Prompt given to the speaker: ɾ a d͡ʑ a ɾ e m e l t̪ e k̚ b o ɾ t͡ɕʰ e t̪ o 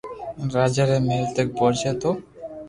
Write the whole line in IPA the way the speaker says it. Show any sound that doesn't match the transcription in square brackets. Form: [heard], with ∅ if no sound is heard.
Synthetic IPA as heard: ɾ a d͡ʑ a ɾ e m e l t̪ e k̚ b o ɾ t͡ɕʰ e t̪ o